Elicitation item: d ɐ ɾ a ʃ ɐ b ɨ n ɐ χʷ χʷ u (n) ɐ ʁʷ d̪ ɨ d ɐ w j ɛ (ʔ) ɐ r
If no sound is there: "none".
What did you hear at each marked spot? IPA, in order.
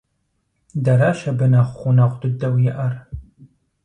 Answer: n, ʔ

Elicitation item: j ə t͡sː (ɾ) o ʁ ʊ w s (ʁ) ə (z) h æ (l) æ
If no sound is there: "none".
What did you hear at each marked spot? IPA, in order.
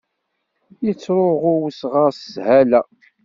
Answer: ɾ, ʁ, s, l

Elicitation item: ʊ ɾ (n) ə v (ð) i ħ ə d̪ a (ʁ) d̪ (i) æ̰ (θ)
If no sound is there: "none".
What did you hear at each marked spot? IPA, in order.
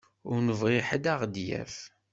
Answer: n, ʁ, ʁ, j, f

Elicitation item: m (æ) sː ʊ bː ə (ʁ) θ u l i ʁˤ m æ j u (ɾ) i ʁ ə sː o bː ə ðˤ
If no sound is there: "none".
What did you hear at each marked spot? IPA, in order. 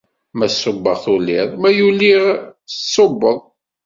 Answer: æ, ʁ, l

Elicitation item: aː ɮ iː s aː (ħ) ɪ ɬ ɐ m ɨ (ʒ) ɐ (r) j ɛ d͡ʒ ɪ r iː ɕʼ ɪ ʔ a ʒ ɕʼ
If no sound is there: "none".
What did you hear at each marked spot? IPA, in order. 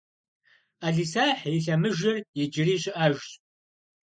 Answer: ħ, ʒ, r

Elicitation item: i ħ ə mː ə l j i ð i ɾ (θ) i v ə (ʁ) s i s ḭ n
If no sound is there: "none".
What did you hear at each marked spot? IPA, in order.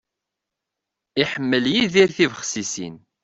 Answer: θ, χ

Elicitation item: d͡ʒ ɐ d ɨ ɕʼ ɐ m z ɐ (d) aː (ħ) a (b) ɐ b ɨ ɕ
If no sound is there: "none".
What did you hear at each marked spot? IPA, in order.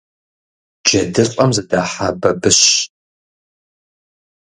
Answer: d, ħ, b

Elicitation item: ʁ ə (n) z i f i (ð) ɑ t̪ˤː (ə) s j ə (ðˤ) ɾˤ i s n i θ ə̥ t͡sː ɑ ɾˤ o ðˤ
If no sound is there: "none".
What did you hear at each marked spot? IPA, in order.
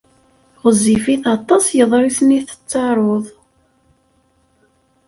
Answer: none, θ, ɑ, ðˤ

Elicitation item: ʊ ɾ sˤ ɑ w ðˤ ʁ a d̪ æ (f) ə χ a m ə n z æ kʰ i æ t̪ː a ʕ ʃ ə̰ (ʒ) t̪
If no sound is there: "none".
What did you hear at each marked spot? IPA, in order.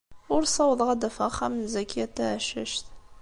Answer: f, ʃ

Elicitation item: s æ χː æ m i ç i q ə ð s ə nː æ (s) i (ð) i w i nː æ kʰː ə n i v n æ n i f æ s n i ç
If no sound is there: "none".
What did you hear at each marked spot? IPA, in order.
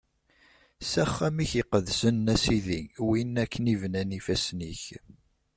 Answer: s, ð

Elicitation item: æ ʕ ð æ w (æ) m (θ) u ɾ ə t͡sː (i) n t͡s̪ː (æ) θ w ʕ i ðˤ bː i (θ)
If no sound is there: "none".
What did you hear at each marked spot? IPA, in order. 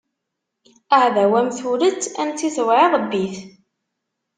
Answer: æ, θ, æ, i, θ

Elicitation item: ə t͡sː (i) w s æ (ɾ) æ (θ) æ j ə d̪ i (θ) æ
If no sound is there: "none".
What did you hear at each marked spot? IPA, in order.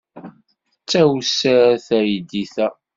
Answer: æ, ɾ, θ, θ

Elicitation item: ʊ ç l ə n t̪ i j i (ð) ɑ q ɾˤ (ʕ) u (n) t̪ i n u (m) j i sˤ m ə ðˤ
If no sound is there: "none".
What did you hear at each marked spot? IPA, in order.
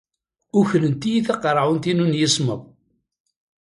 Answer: θ, ʕ, n, n

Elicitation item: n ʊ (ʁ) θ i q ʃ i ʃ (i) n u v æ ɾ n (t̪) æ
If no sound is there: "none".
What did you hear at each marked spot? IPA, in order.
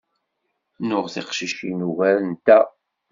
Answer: ʁ, i, t̪

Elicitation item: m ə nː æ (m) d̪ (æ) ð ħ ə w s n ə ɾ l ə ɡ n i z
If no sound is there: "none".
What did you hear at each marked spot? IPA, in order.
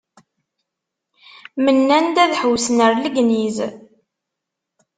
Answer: n, æ

